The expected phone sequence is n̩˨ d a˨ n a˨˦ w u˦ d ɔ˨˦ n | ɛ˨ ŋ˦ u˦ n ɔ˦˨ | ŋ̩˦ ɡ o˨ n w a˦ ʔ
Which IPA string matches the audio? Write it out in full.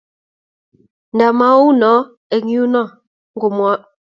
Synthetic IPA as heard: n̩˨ d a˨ m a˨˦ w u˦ n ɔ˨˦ | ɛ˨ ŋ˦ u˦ n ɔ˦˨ | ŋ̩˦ ɡ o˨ m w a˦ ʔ